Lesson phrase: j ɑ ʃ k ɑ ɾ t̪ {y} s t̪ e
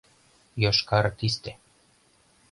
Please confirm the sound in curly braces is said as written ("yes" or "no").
no